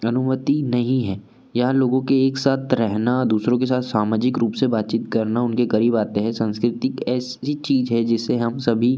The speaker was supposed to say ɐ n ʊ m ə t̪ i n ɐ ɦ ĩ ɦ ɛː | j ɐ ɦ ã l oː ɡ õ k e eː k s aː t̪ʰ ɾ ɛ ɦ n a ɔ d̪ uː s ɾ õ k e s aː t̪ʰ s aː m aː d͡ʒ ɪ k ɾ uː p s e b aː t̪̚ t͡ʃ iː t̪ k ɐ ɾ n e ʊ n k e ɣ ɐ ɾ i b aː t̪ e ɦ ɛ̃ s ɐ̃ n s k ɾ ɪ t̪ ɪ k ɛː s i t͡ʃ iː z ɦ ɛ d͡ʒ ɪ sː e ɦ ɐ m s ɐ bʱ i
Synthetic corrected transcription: ɐ n ʊ m ə t̪ i n ɐ ɦ ĩ ɦ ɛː | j ɐ ɦ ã l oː ɡ õ k e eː k s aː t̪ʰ ɾ ɛ ɦ n a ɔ d̪ uː s ɾ õ k e s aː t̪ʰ s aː m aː d͡ʒ ɪ k ɾ uː p s e b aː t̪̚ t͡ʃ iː t̪ k ɐ ɾ n a ʊ n k e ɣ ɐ ɾ iː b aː t̪ e ɦ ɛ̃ s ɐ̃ n s k ɾ ɪ t̪ ɪ k ɛː s i t͡ʃ iː z ɦ ɛ d͡ʒ ɪ sː e ɦ ɐ m s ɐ bʱ i

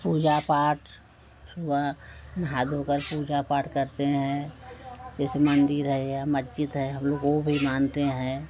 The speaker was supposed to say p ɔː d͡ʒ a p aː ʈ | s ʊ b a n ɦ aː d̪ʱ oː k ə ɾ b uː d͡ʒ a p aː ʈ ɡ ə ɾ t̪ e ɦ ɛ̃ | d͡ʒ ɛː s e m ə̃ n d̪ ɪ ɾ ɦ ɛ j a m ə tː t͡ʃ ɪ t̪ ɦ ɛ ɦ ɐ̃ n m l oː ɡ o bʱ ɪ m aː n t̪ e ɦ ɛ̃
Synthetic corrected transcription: p uː d͡ʒ a p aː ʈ | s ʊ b a n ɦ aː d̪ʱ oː k ə ɾ p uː d͡ʒ a p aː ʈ k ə ɾ t̪ e ɦ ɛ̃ | d͡ʒ ɛː s e m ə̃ n d̪ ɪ ɾ ɦ ɛ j a m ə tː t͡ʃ ɪ t̪ ɦ ɛ ɦ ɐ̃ m l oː ɡ o bʱ i m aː n t̪ e ɦ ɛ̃

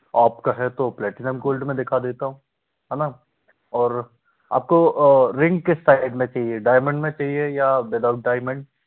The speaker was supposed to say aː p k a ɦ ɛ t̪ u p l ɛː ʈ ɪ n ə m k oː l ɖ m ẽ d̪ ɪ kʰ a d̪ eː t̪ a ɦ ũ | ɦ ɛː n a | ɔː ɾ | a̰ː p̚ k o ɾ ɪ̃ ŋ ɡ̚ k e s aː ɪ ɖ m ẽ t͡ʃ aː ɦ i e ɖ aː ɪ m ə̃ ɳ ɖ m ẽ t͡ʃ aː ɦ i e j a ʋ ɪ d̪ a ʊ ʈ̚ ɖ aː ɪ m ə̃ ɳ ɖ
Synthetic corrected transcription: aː p k a ɦ ɛ t̪ o p l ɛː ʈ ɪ n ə m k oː l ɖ m ẽ d̪ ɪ kʰ a d̪ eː t̪ a ɦ ũ | ɦ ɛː n a | ɔː ɾ | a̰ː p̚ k o ɾ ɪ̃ ŋ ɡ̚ k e s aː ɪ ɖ m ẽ t͡ʃ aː ɦ i e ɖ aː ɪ m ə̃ ɳ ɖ m ẽ t͡ʃ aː ɦ i e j a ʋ ɪ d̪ a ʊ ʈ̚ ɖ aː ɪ m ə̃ ɳ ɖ

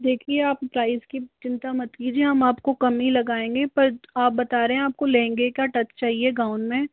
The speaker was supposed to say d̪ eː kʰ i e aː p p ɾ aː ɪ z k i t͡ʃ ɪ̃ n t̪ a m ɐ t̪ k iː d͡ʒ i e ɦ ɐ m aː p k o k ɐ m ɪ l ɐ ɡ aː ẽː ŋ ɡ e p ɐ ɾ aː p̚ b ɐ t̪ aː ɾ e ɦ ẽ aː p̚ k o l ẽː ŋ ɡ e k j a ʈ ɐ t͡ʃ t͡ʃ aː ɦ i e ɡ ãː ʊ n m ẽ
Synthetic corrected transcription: d̪ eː kʰ i e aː p p ɾ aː ɪ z k i t͡ʃ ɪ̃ n t̪ a m ɐ t̪ k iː d͡ʒ i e ɦ ɐ m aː p k o k ɐ m i l ɐ ɡ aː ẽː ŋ ɡ e p ɐ ɾ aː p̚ b ɐ t̪ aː ɾ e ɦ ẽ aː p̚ k o l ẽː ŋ ɡ e k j a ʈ ɐ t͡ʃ t͡ʃ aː ɦ i e ɡ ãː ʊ n m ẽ

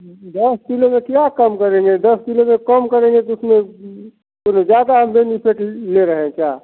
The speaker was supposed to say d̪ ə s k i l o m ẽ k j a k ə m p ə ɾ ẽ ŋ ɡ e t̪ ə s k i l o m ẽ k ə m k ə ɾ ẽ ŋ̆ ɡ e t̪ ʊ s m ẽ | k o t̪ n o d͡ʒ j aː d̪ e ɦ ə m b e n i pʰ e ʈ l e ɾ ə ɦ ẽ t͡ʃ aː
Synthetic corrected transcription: d̪ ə s k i l o m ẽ k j a k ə m k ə ɾ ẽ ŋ ɡ e d̪ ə s k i l o m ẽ k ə m k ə ɾ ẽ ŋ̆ ɡ e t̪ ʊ s m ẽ | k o n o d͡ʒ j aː d̪ a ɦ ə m b e n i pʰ e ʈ l e ɾ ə ɦ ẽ t͡ʃ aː

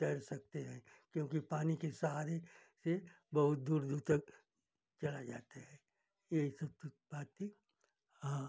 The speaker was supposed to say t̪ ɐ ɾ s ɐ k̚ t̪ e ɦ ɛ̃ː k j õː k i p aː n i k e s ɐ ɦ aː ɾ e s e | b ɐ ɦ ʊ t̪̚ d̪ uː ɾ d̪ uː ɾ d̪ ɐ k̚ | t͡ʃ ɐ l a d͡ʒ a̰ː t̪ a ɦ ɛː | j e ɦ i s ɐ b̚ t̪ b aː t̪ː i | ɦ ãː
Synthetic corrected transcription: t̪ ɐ ɾ s ɐ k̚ t̪ e ɦ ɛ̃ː k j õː k i p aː n i k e s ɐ ɦ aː ɾ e s e | b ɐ ɦ ʊ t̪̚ d̪ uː ɾ d̪ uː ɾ t̪ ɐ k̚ | t͡ʃ ɐ l a d͡ʒ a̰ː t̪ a ɦ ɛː | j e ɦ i s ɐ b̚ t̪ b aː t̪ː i | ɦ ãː

